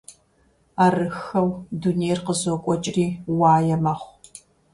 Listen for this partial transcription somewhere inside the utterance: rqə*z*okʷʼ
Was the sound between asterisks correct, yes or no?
yes